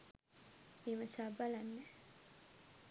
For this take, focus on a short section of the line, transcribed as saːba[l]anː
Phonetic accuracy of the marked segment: correct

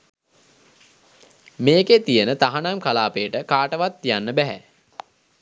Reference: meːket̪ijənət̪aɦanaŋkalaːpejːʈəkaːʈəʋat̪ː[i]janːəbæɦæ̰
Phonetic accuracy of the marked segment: correct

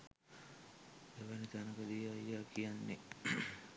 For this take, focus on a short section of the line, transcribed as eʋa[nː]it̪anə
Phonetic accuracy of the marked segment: incorrect: n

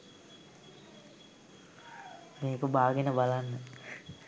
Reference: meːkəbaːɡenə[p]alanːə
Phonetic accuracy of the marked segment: incorrect: b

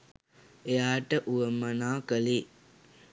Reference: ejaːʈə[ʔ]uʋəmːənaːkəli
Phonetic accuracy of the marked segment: correct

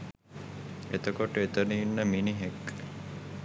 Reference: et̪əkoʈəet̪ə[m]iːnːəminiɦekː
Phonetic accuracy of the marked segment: incorrect: n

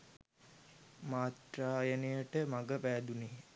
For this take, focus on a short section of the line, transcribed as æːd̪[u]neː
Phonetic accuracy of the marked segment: correct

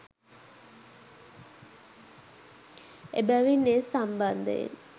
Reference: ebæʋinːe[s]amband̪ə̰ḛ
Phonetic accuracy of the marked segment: correct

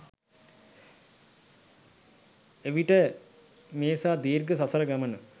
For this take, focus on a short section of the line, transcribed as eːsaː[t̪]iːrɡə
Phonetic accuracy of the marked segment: incorrect: d̪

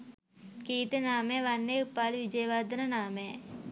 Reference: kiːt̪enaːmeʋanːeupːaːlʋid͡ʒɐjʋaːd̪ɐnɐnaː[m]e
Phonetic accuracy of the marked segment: correct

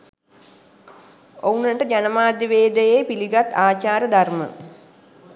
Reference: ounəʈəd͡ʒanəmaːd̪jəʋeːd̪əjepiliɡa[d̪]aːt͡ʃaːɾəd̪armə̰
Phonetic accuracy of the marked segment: incorrect: t̪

